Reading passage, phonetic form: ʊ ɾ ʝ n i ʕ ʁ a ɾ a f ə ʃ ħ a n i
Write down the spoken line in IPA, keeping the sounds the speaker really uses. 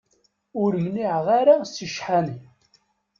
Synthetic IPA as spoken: ʊ ɾ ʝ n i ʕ ʁ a ɾ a s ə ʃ ħ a n i